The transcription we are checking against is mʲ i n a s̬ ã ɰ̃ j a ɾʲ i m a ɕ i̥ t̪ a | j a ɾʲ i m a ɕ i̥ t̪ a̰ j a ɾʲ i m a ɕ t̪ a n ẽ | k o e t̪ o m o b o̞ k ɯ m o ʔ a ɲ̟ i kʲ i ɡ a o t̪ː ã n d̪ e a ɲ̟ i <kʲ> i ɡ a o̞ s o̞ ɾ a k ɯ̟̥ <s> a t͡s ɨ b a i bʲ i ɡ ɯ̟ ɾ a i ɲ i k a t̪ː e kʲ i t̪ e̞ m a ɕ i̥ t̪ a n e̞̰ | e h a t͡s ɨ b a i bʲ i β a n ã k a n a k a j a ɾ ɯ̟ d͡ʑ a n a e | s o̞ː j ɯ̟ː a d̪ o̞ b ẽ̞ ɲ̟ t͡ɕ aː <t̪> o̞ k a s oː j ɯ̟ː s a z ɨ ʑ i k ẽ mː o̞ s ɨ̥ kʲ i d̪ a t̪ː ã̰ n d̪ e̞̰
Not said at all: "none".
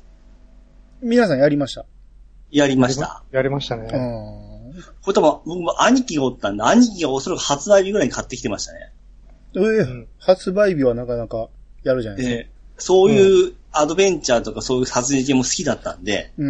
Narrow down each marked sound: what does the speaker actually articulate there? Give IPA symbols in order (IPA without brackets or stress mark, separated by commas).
kʲ, h, t̪